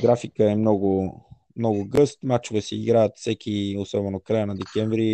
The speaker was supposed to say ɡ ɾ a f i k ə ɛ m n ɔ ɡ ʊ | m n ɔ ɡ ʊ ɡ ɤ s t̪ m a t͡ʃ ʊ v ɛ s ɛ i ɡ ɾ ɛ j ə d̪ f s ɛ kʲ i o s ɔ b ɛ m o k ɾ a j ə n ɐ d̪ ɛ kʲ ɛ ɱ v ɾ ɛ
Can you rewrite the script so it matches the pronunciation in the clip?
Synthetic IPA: ɡ ɾ a f i k ə ɛ m n ɔ ɡ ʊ | m n ɔ ɡ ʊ ɡ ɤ s t̪ m a t͡ʃ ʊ v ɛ s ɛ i ɡ ɾ a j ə t̪ f s ɛ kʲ i o s ɔ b ɛ n o k ɾ a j ə n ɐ d̪ ɛ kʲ ɛ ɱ v ɾ i